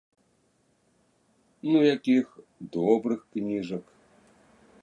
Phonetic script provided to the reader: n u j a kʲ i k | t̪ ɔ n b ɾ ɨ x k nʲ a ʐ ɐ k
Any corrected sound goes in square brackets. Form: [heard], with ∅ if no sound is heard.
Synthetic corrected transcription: n u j a kʲ i [x] | [d̪] ɔ [∅] b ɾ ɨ x k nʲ [i] ʐ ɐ k